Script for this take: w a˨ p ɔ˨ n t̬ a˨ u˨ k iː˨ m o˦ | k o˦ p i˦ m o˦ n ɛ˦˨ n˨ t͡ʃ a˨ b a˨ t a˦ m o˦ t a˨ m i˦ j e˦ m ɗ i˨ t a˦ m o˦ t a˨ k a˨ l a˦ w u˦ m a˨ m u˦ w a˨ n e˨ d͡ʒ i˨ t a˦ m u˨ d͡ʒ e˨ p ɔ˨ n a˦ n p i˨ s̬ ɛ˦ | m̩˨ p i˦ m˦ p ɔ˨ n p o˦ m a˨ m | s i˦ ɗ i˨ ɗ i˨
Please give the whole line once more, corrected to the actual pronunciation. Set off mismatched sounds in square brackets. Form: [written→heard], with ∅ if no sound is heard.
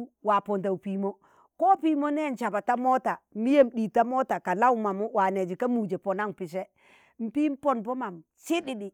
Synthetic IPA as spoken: w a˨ p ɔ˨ n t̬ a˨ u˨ [k→p] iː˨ m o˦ | k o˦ p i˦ m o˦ n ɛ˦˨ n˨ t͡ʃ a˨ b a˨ t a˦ m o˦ t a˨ m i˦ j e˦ m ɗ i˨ t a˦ m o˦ t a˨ k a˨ l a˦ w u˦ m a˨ m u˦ w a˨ n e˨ d͡ʒ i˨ [t→k] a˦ m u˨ d͡ʒ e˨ p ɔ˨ n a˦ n p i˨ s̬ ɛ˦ | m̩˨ p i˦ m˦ p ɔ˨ n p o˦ m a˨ m | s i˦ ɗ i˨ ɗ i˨